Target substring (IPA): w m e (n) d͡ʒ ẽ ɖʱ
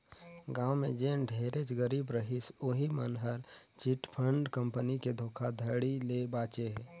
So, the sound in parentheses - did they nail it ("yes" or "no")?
no